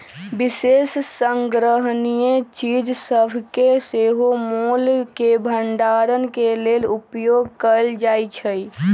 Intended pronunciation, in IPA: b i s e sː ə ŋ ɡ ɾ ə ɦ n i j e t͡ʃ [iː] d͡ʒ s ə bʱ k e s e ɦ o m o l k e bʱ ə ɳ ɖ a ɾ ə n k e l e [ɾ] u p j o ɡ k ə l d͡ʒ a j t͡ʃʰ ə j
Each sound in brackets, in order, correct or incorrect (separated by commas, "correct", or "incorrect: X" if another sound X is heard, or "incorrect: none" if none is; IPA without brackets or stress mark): incorrect: i, incorrect: l